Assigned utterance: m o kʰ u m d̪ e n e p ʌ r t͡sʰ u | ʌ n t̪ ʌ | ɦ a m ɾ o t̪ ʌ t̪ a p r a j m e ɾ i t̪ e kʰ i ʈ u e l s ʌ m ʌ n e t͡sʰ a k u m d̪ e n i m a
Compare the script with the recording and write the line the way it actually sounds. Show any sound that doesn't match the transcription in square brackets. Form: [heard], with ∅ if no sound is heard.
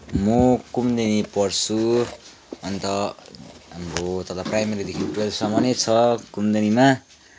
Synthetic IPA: m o [k] u m d̪ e n [i] p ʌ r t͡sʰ u | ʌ n t̪ ʌ | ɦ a m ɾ o t̪ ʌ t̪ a p r a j m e ɾ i [d̪] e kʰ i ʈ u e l s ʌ m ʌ n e t͡sʰ [ʌ] k u m d̪ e n i m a